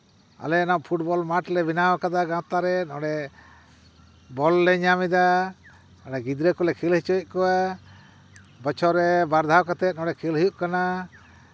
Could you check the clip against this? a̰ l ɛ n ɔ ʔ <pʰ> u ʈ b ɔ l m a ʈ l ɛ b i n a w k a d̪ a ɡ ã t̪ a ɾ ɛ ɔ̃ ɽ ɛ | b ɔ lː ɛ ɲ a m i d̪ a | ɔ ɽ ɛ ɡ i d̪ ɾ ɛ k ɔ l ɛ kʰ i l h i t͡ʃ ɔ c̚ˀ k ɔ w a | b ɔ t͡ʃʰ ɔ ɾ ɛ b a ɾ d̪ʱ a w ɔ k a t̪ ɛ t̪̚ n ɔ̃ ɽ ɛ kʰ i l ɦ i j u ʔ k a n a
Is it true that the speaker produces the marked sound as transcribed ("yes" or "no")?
yes